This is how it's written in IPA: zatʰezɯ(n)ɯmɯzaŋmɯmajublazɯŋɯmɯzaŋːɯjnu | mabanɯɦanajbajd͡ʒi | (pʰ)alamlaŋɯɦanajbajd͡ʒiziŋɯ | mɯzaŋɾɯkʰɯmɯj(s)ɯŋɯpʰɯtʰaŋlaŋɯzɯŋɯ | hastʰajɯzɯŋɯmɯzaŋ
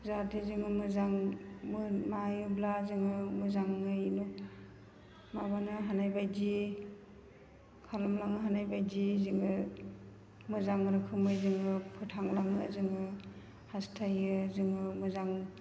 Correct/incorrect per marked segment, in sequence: incorrect, incorrect, incorrect

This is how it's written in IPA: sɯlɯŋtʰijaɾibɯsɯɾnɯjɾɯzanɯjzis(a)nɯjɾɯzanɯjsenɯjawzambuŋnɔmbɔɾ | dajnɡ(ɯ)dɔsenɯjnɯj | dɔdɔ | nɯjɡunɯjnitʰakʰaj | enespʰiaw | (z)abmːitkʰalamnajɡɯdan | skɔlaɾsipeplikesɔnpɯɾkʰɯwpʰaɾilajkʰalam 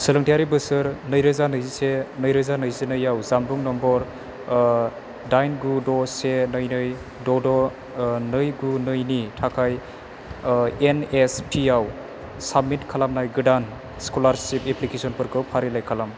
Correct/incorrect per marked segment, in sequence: incorrect, incorrect, incorrect

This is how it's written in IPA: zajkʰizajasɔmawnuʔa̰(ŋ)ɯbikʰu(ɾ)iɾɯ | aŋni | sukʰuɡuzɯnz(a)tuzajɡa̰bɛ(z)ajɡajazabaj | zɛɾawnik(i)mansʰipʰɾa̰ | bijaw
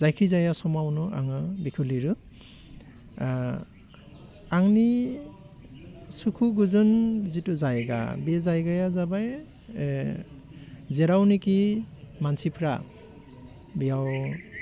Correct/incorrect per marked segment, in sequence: correct, incorrect, incorrect, correct, correct

